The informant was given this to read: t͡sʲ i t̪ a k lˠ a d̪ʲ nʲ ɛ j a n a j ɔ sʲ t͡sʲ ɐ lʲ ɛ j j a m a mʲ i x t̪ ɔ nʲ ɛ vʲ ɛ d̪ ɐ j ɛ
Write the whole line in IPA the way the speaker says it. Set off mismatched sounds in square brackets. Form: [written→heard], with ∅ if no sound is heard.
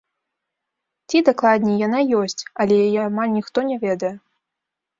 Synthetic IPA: t͡sʲ i [t̪→d̪] a k lˠ a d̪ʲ nʲ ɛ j a n a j ɔ sʲ t͡sʲ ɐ lʲ ɛ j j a m a [mʲ→nʲ] i x t̪ ɔ nʲ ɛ vʲ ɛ d̪ ɐ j ɛ